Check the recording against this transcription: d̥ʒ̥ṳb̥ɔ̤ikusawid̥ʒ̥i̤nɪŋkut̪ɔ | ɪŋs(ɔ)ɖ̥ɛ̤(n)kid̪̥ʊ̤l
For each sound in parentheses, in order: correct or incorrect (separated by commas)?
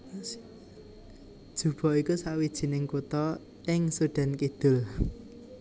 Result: incorrect, correct